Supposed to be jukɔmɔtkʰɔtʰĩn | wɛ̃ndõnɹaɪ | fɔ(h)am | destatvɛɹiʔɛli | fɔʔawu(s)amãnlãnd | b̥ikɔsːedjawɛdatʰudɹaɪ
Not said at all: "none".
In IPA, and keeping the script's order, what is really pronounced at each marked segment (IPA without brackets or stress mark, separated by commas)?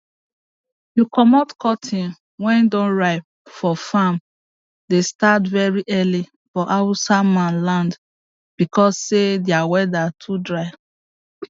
f, s